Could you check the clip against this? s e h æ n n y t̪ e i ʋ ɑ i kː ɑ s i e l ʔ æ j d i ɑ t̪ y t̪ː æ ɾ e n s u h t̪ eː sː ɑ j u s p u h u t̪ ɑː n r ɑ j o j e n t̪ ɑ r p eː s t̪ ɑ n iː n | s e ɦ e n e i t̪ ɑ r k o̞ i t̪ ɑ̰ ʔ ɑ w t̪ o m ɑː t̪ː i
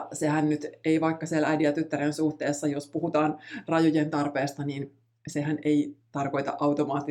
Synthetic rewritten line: s e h æ n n y t̪ e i ʋ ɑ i kː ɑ s i e l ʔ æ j d i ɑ t̪ y t̪ː æ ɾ e n s u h t̪ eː sː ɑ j o s p u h u t̪ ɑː n r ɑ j o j e n t̪ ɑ r p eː s t̪ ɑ n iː n | s e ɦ æ n e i t̪ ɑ r k o̞ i t̪ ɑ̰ ʔ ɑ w t̪ o m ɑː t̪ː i